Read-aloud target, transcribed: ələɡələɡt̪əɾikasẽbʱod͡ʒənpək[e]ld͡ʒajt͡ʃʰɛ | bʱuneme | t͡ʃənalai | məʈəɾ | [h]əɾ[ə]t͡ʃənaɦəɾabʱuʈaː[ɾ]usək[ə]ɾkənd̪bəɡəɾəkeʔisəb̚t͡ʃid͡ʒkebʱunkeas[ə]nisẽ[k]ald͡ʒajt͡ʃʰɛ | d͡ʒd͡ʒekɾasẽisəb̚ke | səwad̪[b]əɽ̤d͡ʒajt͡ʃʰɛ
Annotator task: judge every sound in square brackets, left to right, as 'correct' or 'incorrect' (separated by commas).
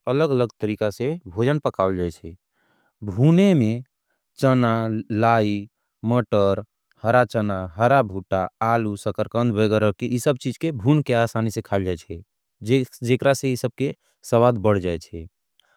incorrect, correct, incorrect, incorrect, correct, incorrect, incorrect, correct